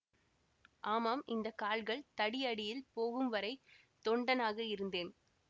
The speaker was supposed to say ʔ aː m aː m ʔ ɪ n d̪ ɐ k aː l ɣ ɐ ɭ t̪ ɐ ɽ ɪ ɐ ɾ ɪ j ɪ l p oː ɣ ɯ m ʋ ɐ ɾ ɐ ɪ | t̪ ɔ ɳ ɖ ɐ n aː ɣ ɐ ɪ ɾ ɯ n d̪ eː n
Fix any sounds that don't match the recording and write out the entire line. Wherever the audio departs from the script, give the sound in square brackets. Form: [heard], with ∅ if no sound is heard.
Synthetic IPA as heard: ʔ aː m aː m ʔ ɪ n d̪ ɐ k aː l ɣ ɐ ɭ t̪ ɐ ɽ ɪ ɐ [ɽ] ɪ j ɪ l p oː ɣ ɯ m ʋ ɐ ɾ ɐ ɪ | t̪ ɔ ɳ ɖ ɐ n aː ɣ ɐ ɪ ɾ ɯ n d̪ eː n